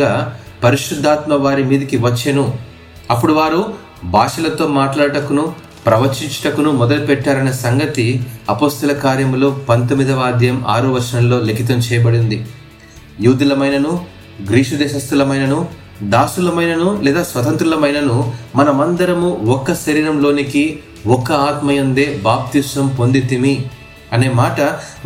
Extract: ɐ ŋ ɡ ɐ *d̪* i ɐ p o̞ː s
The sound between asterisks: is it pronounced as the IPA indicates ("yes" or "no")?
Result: no